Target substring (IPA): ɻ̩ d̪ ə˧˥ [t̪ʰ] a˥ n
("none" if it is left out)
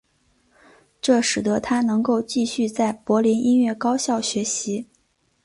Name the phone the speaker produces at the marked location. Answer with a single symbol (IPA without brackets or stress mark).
t̪ʰ